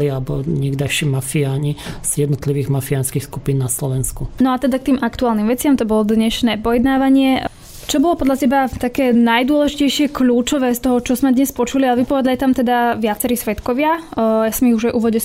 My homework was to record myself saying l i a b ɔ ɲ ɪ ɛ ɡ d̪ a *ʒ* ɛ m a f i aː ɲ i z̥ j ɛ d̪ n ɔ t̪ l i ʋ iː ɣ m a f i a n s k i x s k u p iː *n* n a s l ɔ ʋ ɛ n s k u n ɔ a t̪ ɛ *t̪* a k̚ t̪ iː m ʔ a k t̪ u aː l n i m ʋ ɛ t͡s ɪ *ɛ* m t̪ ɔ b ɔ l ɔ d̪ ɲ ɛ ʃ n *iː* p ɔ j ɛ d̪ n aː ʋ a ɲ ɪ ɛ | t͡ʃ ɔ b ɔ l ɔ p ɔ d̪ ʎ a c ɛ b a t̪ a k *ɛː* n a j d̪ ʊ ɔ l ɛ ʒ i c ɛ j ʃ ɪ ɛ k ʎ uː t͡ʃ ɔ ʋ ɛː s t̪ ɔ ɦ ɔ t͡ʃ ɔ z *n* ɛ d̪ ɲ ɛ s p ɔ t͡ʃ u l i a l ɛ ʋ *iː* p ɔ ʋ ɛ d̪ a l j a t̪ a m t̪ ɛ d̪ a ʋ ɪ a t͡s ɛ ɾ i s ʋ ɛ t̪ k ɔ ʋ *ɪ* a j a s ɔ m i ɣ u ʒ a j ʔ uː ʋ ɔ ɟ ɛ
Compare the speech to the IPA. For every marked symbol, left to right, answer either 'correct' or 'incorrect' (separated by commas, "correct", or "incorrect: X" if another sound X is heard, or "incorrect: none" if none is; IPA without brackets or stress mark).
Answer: incorrect: ʃ, correct, incorrect: d̪, incorrect: a, incorrect: ɛː, correct, incorrect: m, incorrect: i, correct